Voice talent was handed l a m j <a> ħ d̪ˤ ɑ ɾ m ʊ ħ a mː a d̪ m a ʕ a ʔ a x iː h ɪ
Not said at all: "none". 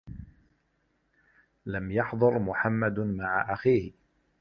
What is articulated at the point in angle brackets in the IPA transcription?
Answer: ɑ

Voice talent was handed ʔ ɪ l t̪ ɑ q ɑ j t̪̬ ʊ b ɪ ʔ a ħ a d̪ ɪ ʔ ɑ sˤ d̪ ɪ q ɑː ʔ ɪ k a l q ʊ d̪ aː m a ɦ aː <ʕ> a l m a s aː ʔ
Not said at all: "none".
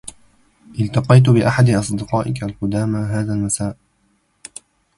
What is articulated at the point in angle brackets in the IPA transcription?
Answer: ð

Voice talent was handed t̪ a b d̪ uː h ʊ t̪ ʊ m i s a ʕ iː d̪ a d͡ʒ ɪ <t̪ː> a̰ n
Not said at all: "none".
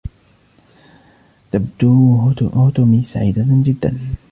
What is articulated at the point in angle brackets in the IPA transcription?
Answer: d̪ː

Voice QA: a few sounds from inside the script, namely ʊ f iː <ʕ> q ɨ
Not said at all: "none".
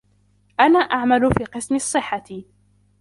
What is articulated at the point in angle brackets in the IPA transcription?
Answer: none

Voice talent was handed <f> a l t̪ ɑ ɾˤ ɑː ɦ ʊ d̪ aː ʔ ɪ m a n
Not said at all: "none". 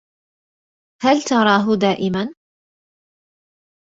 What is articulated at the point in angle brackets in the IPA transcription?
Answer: h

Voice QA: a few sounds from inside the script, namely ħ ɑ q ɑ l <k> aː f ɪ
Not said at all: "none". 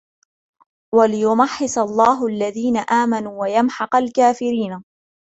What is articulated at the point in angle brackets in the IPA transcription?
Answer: k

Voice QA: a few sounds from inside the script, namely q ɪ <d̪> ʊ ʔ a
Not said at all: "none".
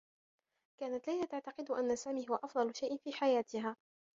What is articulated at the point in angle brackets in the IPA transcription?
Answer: d̪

